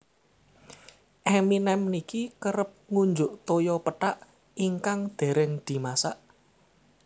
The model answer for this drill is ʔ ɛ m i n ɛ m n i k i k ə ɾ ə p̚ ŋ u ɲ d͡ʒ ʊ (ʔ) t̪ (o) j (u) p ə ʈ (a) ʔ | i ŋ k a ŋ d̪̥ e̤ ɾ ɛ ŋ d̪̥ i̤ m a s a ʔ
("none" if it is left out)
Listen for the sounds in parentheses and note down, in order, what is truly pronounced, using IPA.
ʔ, o, ɔ, a

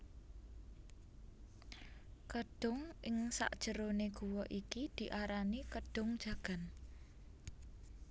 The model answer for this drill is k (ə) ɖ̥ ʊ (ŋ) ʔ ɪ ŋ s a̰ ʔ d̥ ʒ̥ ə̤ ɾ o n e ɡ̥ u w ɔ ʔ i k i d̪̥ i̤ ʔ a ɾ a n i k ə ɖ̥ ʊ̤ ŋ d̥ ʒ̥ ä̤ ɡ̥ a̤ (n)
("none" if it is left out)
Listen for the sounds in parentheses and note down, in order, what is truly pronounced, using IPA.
ə, ŋ, n

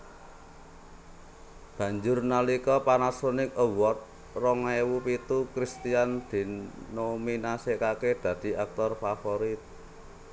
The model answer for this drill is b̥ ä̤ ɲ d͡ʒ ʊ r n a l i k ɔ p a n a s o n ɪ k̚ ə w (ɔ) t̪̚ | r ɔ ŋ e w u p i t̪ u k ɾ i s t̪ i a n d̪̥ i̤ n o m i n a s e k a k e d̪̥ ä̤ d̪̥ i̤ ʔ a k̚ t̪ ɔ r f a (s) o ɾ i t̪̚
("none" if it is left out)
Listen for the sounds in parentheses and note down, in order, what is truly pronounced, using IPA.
ɔ, f

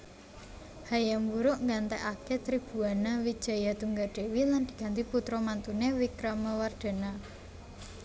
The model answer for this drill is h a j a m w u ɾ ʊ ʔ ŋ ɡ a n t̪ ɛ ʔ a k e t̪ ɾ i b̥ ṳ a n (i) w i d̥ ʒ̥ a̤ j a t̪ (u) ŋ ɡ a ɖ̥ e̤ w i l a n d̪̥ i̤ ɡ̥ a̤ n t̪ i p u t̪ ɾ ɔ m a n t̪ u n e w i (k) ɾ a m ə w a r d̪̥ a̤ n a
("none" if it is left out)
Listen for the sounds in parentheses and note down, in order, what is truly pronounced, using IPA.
a, u, k

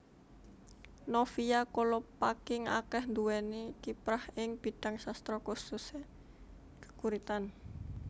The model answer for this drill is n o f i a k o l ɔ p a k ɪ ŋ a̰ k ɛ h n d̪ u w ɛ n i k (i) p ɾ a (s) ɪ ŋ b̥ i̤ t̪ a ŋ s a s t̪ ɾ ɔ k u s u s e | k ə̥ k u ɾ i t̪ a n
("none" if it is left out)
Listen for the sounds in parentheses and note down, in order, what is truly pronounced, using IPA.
i, h

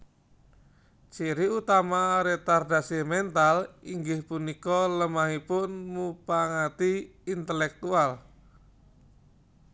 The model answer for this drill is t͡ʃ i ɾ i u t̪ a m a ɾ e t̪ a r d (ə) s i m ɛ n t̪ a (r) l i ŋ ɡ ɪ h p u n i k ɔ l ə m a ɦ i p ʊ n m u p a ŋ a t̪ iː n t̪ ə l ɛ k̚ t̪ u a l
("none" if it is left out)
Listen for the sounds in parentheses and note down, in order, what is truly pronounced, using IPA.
a, none

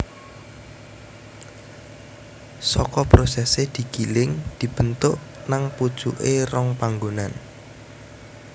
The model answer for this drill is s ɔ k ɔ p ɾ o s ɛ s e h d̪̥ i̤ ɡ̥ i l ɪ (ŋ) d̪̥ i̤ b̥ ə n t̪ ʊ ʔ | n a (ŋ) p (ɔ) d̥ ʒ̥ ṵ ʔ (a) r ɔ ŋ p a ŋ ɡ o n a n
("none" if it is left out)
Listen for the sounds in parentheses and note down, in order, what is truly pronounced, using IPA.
ŋ, ŋ, u, e

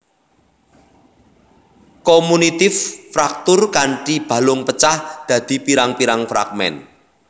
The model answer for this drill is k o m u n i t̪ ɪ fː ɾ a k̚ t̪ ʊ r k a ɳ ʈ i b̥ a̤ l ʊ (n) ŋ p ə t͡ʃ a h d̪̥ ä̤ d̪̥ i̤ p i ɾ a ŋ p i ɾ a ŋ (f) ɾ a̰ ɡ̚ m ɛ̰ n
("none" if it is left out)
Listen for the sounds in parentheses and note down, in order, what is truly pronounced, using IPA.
none, f

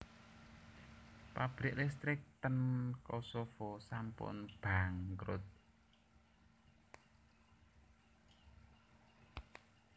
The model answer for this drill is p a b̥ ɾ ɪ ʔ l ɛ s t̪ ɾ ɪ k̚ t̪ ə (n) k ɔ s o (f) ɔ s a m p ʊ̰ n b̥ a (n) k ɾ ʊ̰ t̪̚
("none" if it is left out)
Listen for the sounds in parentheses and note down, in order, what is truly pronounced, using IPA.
n, f, ŋ

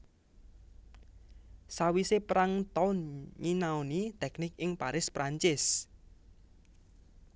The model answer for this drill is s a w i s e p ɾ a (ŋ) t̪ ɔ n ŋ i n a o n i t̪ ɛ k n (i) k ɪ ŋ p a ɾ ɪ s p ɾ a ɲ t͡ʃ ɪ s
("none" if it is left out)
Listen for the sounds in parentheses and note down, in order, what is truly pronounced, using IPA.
ŋ, ɪ

